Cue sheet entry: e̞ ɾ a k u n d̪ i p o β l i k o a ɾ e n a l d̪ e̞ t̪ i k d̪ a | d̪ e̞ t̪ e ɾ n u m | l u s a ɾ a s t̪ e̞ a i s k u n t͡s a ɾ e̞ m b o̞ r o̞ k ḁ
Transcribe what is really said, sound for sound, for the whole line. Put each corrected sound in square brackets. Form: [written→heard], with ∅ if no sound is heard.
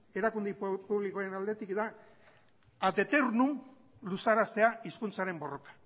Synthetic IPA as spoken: e̞ ɾ a k u n d̪ i p [o→u] β l i k o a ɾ e n a l d̪ e̞ t̪ i k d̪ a | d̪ e̞ t̪ e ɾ n u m | l u s a ɾ a s t̪ e̞ a i s k u n t͡s a ɾ e̞ m b o̞ r o̞ k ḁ